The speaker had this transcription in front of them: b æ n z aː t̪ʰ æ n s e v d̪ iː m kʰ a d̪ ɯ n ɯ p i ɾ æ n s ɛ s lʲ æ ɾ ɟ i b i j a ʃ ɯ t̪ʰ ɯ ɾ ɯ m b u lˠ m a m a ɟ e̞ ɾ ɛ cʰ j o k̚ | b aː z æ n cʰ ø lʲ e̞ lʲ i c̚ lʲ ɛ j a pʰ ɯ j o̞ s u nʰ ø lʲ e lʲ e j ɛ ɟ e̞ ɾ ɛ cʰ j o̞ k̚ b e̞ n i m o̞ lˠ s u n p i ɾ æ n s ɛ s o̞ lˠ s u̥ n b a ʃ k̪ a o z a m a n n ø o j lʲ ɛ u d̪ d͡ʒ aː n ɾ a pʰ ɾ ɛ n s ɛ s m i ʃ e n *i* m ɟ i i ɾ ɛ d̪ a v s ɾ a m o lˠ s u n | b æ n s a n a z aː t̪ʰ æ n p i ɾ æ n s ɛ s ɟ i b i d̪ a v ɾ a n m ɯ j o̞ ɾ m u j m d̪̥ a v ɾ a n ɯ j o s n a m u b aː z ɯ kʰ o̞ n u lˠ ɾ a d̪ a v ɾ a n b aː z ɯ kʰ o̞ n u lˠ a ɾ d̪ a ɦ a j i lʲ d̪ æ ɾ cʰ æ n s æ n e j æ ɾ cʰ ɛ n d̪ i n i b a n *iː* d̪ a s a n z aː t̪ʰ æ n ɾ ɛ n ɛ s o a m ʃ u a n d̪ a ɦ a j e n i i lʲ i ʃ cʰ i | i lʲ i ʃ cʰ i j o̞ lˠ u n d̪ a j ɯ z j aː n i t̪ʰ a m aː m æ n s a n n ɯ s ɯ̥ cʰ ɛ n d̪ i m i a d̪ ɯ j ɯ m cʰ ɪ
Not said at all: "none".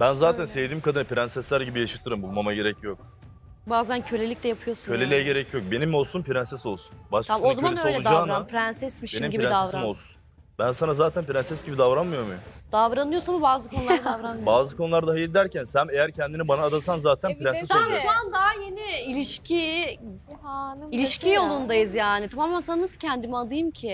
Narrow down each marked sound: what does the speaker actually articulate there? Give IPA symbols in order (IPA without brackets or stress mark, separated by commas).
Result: i, aː